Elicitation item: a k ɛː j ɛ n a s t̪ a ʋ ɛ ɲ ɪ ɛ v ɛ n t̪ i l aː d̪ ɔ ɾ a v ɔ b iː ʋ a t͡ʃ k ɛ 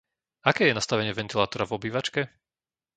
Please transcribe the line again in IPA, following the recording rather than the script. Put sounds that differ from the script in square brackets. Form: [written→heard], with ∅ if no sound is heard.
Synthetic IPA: a k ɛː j ɛ n a s t̪ a ʋ ɛ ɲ ɪ ɛ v ɛ n t̪ i l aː [d̪→t̪] ɔ ɾ a v ɔ b iː ʋ a t͡ʃ k ɛ